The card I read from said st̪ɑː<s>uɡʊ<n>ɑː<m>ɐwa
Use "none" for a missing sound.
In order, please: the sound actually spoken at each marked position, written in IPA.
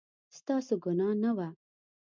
s, n, n

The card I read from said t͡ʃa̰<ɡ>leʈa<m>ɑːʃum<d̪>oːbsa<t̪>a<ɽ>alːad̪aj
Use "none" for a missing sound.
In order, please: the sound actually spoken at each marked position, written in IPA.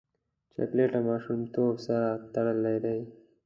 k, m, t̪, t̪, ɽ

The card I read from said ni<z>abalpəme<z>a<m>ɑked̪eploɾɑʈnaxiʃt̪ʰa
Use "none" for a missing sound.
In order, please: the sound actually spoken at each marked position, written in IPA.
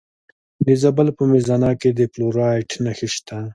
z, z, n

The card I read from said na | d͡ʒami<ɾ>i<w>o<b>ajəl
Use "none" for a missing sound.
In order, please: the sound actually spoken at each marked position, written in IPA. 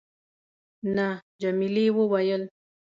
l, w, w

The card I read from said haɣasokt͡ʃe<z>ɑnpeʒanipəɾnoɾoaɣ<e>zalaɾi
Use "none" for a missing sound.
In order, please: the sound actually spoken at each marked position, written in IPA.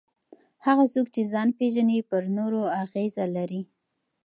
z, e

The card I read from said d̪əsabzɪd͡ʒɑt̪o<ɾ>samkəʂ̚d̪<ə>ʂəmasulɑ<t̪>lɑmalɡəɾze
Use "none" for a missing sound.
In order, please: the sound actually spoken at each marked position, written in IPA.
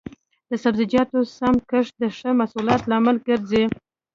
none, ə, t̪

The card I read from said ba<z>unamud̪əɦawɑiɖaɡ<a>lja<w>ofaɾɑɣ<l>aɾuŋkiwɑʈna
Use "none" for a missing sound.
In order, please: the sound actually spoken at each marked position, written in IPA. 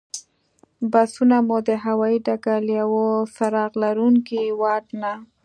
s, a, w, l

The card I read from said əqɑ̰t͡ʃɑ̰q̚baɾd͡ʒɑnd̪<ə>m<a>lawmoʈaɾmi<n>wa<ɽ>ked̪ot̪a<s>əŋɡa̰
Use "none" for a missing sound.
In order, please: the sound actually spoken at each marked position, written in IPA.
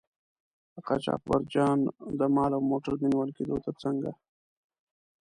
ə, ɑ, n, l, t͡s

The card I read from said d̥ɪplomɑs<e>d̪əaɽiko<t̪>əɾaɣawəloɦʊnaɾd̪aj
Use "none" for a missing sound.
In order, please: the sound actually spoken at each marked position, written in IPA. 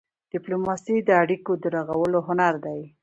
i, d̪

